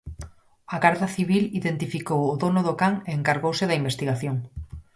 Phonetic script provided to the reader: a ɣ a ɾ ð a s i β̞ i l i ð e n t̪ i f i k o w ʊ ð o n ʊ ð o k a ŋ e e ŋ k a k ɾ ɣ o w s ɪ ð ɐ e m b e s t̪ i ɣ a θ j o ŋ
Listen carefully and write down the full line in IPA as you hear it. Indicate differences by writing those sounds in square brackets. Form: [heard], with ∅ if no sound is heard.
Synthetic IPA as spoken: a ɣ a ɾ ð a [θ] i β̞ i l i ð e n t̪ i f i k o w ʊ ð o n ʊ ð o k a ŋ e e ŋ k a [∅] ɾ ɣ o w s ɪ ð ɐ [i] m b e s t̪ i ɣ a θ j o ŋ